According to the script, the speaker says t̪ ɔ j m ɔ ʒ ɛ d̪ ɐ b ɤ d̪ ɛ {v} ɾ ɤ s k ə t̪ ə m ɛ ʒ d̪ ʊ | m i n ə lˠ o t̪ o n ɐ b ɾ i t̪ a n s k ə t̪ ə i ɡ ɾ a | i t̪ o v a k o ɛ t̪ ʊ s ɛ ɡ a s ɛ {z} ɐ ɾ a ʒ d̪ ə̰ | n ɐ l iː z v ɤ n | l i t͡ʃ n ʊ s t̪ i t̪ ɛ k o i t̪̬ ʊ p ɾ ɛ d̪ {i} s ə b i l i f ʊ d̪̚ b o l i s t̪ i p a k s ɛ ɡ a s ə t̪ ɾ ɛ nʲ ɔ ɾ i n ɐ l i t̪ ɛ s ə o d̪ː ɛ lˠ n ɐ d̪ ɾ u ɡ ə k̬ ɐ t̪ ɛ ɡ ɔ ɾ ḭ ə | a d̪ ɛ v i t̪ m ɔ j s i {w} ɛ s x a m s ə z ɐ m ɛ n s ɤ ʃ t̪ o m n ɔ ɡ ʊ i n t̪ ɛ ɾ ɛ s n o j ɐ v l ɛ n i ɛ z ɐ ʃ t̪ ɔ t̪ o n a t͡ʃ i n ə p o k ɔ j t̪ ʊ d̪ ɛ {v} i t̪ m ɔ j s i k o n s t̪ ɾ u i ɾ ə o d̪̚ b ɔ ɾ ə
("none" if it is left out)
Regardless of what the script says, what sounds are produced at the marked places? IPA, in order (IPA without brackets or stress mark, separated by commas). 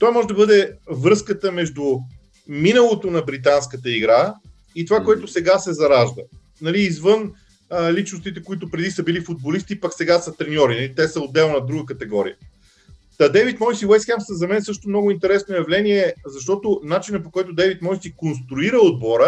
v, z, i, w, v